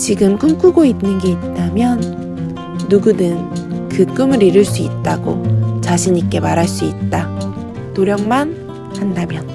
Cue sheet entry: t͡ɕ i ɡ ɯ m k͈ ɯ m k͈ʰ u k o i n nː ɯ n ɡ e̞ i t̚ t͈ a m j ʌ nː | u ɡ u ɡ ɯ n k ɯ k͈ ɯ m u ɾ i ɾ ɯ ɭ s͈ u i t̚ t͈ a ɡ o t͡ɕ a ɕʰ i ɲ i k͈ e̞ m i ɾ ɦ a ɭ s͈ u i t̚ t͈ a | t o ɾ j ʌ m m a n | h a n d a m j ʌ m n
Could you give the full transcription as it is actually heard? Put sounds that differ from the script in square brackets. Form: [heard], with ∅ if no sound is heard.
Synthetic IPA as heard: t͡ɕ i ɡ ɯ m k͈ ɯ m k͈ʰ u [ɡ] o i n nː ɯ n ɡ e̞ i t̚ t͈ a m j ʌ nː | u ɡ u [d] ɯ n k ɯ k͈ ɯ m [ɯ] ɾ i ɾ ɯ ɭ s͈ u i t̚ t͈ a ɡ o t͡ɕ a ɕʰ i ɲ i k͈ e̞ m [a] ɾ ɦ a ɭ s͈ u i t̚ t͈ a | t o ɾ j ʌ [ŋ] m a n | h a n d a m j ʌ [∅] n